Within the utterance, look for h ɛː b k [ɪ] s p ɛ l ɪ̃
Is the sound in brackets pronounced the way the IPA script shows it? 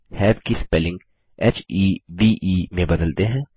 no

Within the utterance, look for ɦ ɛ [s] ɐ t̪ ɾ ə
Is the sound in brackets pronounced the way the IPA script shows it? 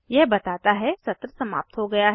yes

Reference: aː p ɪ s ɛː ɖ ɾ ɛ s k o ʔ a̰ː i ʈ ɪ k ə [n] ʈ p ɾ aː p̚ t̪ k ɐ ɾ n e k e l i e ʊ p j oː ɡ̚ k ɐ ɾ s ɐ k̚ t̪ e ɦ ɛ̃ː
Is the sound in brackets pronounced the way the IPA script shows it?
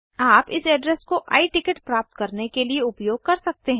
no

